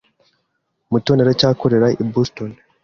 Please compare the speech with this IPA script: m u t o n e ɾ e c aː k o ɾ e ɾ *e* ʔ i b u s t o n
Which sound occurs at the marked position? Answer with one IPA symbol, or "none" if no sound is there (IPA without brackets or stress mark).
a